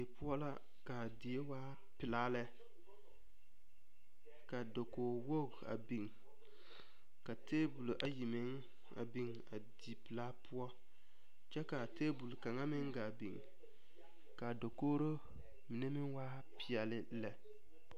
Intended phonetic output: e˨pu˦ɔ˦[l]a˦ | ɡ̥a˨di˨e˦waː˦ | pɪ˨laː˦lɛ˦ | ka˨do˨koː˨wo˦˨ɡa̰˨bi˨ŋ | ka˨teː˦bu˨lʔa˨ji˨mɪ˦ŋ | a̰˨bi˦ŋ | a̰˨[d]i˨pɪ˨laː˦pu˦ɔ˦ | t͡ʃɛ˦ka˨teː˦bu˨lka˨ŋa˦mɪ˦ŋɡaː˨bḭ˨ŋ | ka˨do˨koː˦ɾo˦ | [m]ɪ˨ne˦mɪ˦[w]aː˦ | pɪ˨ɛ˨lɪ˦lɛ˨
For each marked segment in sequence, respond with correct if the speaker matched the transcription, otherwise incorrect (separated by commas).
correct, correct, correct, correct